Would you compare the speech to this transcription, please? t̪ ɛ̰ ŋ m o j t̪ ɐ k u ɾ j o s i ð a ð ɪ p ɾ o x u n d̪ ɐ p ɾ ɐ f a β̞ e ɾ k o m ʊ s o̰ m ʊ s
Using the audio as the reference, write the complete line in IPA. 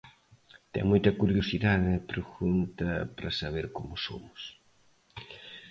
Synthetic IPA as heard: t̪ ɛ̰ ŋ m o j t̪ ɐ k u ɾ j o s i ð a ð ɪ p ɾ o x u n t̪ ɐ p ɾ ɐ s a β̞ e ɾ k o m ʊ s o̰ m ʊ s